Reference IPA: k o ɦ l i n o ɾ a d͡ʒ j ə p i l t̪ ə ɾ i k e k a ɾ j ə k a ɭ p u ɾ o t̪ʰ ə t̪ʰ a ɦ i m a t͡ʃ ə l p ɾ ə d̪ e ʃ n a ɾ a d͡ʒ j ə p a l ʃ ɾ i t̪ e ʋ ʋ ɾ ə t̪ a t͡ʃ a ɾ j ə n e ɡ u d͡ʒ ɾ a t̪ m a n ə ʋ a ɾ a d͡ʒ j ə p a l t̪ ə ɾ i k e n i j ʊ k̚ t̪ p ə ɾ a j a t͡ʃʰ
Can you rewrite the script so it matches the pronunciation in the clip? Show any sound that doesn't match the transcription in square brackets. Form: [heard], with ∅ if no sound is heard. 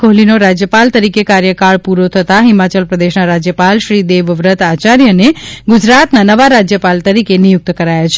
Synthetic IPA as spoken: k o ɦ l i n o ɾ a d͡ʒ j ə p [a] l t̪ ə ɾ i k e k a ɾ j ə k a ɭ p u ɾ o t̪ʰ ə [t̪] a ɦ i m a t͡ʃ ə l p ɾ ə d̪ e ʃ n a ɾ a d͡ʒ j ə p a l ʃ ɾ i [d̪] e ʋ ʋ ɾ ə t̪ a t͡ʃ a ɾ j ə n e ɡ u d͡ʒ ɾ a t̪ [n] a n ə ʋ a ɾ a d͡ʒ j ə p a l t̪ ə ɾ i k e n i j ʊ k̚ t̪ [k] ə ɾ a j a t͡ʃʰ